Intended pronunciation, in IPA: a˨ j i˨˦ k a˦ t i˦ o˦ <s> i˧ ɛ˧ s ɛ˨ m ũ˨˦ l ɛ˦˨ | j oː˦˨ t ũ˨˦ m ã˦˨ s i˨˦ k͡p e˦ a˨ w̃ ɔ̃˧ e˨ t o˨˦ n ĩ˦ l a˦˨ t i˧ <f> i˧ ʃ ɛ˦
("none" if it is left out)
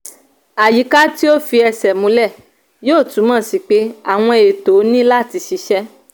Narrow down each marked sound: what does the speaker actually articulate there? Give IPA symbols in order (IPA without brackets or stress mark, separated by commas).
f, ʃ